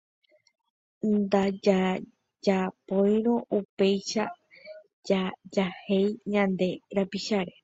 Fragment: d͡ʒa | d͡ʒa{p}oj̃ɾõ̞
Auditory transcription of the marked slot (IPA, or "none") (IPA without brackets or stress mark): p